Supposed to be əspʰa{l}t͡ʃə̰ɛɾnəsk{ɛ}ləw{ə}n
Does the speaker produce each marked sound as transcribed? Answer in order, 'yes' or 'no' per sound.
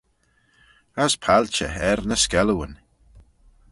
yes, yes, yes

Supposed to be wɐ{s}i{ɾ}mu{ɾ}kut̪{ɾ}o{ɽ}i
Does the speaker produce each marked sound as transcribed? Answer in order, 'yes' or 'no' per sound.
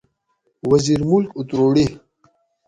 no, yes, no, yes, yes

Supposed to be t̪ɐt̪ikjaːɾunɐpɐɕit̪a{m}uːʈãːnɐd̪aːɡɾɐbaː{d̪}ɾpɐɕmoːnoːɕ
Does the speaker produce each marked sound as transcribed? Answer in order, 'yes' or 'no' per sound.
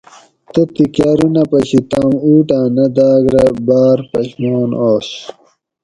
yes, no

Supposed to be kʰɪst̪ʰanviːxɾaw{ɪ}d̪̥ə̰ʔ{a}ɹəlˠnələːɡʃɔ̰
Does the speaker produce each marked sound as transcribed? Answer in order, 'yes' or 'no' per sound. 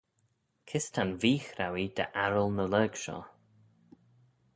no, yes

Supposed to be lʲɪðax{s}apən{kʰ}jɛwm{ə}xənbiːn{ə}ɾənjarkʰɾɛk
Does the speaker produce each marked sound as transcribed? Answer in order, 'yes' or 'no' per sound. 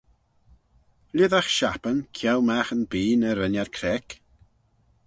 no, yes, no, yes

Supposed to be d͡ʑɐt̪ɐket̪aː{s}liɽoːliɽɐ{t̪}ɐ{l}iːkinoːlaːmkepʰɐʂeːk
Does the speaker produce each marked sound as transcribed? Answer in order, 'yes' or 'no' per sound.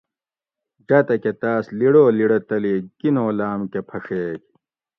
yes, yes, yes

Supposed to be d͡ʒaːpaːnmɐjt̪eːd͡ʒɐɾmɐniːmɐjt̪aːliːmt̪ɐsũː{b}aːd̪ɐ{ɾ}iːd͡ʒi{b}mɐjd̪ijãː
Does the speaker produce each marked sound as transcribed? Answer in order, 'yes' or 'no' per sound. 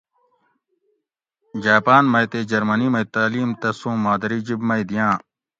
no, yes, yes

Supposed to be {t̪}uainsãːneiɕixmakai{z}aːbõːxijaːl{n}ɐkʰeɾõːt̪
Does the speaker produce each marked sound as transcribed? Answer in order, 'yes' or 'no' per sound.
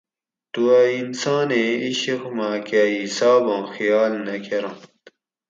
yes, no, yes

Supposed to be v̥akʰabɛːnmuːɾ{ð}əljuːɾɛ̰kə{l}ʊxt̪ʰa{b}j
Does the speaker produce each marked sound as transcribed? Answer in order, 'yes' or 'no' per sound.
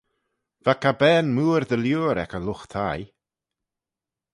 yes, yes, no

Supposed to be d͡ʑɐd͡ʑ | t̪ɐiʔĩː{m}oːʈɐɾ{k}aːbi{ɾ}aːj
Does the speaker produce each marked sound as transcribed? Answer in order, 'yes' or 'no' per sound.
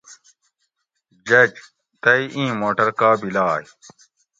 yes, yes, no

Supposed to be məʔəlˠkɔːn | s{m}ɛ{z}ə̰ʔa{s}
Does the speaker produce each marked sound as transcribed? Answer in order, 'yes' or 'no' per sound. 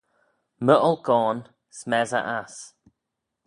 yes, yes, yes

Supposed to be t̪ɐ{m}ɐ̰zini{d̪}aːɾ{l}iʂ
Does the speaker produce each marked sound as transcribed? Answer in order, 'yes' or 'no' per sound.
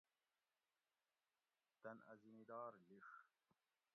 no, yes, yes

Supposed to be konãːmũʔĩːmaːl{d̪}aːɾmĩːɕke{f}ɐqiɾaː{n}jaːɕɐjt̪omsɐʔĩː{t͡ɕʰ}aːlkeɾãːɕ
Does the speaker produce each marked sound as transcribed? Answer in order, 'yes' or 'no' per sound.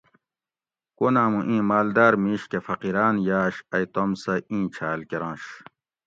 yes, yes, yes, yes

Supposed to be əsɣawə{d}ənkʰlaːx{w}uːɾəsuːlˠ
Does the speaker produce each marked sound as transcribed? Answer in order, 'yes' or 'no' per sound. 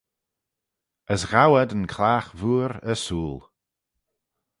yes, no

